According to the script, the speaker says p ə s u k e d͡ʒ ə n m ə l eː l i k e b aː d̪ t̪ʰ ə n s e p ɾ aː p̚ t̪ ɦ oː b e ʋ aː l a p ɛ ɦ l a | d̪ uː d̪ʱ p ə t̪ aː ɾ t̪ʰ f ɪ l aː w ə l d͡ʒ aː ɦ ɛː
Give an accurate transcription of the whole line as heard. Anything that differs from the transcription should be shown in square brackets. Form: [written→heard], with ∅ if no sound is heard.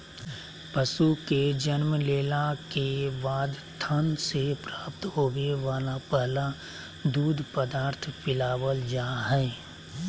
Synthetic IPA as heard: p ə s u k e d͡ʒ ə n m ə l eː l [i→a] k e b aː d̪ t̪ʰ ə n s e p ɾ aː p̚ t̪ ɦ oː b e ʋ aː l a p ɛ ɦ l a | d̪ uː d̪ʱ p ə [t̪→d̪] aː ɾ t̪ʰ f ɪ l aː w ə l d͡ʒ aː ɦ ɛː